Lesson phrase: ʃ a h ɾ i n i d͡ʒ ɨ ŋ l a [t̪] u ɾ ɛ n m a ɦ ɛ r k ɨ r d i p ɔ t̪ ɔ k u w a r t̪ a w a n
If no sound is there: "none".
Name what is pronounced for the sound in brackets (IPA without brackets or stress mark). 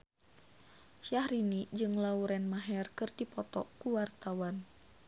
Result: none